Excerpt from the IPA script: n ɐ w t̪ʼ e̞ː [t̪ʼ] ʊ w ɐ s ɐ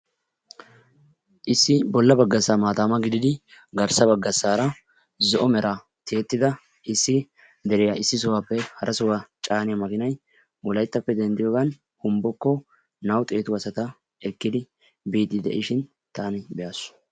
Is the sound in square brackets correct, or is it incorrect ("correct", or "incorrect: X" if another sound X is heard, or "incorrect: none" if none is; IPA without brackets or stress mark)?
incorrect: t̪